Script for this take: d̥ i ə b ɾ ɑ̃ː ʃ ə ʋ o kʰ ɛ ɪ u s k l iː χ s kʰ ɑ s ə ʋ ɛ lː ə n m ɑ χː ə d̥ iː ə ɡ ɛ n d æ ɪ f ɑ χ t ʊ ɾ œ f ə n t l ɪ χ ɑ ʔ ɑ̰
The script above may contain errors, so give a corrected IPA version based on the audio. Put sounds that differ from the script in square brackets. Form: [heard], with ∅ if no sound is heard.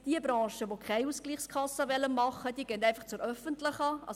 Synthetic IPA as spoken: d̥ i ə b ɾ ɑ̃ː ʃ ə ʋ o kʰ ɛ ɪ u s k l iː χ s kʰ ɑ s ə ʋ ɛ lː ə n m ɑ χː ə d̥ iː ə ɡ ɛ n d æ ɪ f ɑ χ [t͡s] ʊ ɾ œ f ə n t l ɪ χ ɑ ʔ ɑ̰